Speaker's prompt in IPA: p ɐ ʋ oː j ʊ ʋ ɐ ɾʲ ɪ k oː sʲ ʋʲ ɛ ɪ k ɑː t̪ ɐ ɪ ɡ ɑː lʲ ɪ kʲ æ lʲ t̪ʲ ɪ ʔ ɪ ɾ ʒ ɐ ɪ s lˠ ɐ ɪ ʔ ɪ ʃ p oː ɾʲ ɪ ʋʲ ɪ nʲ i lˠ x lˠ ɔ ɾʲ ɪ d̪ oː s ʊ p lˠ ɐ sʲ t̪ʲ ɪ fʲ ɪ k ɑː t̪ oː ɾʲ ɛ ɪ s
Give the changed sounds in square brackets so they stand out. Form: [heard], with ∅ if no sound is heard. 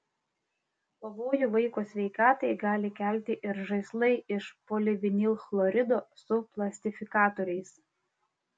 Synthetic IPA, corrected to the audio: p ɐ ʋ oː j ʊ ʋ ɐ [∅] ɪ k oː sʲ ʋʲ ɛ ɪ k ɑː t̪ ɐ ɪ ɡ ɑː lʲ ɪ kʲ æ lʲ t̪ʲ ɪ ʔ ɪ ɾ ʒ ɐ ɪ s lˠ ɐ ɪ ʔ ɪ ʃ p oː [lʲ] ɪ ʋʲ ɪ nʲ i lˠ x lˠ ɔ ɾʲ ɪ d̪ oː s ʊ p lˠ ɐ sʲ t̪ʲ ɪ fʲ ɪ k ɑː t̪ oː ɾʲ ɛ ɪ s